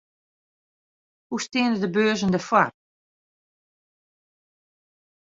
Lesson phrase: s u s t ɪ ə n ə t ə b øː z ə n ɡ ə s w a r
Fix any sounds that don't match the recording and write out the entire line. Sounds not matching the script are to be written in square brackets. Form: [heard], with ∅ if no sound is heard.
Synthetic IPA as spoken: [h] u s t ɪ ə n ə [d] ə b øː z ə n [d] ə [f] w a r